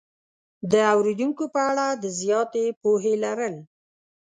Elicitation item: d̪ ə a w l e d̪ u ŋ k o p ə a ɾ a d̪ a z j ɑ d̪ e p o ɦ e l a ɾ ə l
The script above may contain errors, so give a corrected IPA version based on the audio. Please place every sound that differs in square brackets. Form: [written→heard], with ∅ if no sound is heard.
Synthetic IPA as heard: d̪ ə a w [l→ɾ] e d̪ u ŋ k o p ə a [ɾ→ɽ] a d̪ [a→ə] z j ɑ [d̪→t̪] e p o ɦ e l a ɾ ə l